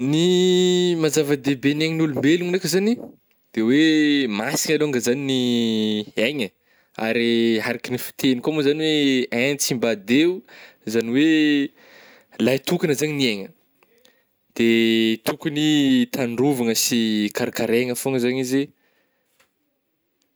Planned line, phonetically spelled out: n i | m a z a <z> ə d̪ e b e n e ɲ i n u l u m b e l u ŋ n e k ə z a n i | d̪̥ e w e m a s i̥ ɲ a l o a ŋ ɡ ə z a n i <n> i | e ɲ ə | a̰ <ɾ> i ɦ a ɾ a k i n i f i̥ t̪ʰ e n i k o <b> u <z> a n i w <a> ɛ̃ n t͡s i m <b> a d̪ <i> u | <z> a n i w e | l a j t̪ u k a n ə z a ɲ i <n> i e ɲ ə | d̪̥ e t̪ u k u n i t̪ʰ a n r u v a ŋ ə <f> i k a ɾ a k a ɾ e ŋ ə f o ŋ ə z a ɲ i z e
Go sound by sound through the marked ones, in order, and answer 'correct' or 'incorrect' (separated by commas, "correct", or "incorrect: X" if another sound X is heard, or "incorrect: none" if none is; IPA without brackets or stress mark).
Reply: incorrect: v, correct, correct, incorrect: m, correct, incorrect: e, correct, incorrect: e, correct, correct, incorrect: s